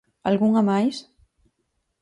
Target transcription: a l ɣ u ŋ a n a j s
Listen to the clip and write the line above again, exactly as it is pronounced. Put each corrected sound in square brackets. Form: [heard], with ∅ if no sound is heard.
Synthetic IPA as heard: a l ɣ u ŋ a [m] a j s